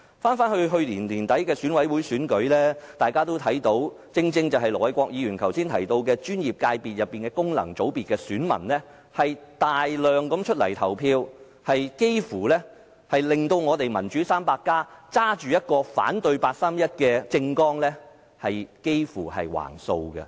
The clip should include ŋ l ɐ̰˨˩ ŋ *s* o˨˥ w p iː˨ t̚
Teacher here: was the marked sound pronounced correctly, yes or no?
no